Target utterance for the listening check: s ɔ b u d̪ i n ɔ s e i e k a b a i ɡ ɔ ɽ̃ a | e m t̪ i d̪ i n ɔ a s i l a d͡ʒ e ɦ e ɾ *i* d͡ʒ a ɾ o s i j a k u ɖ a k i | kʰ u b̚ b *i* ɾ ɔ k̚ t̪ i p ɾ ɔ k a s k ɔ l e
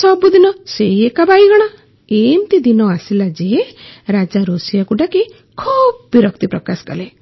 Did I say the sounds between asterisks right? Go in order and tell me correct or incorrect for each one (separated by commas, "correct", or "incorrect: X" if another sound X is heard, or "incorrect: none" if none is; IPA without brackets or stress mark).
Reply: incorrect: a, correct